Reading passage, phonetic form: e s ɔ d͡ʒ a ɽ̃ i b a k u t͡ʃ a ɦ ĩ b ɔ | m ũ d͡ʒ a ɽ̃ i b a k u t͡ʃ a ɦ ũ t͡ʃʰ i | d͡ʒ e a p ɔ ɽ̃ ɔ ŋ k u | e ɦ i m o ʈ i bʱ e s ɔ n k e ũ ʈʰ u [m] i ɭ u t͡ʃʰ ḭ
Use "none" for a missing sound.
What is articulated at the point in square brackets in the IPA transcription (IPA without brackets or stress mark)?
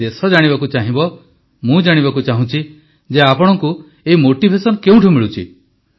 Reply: m